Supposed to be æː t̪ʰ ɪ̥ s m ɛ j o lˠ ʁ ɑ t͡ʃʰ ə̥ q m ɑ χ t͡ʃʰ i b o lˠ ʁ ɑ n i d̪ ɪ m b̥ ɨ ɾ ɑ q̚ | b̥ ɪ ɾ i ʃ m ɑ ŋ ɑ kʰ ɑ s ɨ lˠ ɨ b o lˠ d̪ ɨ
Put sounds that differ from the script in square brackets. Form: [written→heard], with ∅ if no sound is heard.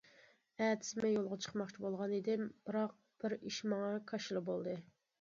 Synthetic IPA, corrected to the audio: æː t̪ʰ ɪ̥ s m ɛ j o lˠ ʁ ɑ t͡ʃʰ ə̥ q m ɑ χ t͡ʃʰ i b o lˠ ʁ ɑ n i d̪ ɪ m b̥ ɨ ɾ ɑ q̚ | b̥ ɪ ɾ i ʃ m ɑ ŋ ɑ kʰ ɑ [s→ʃ] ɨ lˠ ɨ b o lˠ d̪ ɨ